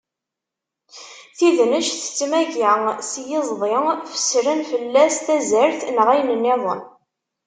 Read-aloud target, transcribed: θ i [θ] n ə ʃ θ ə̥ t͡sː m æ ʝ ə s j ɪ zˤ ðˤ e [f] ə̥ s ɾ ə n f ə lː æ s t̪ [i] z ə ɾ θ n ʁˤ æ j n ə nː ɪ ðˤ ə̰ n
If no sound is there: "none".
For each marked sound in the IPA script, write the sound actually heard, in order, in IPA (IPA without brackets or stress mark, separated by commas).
ð, f, æ